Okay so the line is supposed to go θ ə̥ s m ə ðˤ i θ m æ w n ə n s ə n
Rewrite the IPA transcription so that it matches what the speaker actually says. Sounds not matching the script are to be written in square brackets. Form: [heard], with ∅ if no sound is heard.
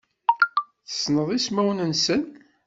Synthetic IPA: θ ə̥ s [n] ə ðˤ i [s] m æ w n ə n s ə n